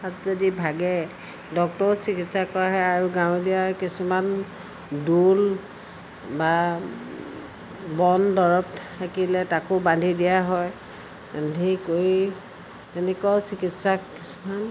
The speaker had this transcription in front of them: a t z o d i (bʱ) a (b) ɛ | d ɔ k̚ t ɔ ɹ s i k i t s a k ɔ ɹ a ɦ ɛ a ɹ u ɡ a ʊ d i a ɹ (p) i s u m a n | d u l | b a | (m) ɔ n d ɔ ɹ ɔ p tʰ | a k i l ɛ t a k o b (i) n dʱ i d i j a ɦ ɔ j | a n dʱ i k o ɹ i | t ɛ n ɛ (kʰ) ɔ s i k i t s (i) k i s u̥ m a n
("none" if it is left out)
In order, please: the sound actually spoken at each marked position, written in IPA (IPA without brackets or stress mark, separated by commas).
bʱ, ɡ, k, b, a, k, a